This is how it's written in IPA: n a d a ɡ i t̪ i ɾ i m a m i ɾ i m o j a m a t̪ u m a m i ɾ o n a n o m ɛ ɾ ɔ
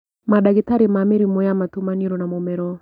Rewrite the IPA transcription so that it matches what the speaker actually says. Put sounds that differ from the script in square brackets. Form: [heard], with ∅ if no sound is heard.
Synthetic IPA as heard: [m] a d a ɡ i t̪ [a] ɾ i m a m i ɾ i m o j a m a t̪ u m a [n] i ɾ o n a [m] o m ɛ ɾ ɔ